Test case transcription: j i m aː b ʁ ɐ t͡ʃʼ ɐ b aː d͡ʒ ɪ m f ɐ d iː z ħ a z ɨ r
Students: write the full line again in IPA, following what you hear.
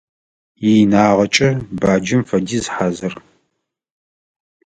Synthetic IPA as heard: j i n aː ʁ ɐ t͡ʃʼ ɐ b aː d͡ʒ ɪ m f ɐ d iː z ħ a z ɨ r